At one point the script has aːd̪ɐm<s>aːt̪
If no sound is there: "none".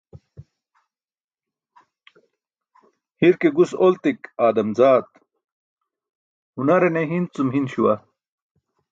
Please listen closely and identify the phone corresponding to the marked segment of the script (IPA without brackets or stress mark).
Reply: z